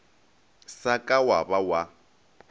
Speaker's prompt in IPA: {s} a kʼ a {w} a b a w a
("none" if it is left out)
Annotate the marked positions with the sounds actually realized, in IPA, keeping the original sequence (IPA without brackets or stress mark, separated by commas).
s, w